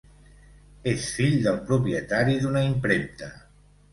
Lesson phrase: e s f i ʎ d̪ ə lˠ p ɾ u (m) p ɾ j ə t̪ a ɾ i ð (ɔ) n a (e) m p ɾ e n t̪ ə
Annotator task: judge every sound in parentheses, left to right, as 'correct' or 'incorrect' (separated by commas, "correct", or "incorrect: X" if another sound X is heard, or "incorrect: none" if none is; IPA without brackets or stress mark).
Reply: incorrect: none, incorrect: u, incorrect: i